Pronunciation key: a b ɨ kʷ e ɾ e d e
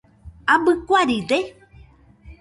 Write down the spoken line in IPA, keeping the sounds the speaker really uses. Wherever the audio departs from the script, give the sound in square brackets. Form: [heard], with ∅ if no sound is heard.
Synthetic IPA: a b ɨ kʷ [a] ɾ [i] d e